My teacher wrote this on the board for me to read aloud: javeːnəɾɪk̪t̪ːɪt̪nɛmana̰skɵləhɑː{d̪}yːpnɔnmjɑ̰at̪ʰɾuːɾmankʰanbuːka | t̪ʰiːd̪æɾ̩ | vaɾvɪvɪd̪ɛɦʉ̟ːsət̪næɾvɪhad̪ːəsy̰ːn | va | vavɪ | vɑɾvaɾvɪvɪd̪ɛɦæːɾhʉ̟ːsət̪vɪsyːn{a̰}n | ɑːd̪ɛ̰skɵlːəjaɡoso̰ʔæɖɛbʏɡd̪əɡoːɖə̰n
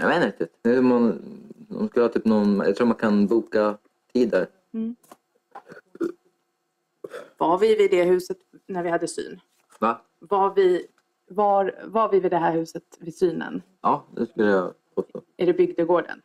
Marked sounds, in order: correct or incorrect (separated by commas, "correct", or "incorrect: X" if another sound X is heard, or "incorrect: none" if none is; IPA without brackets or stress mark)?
incorrect: t̪, incorrect: ə̰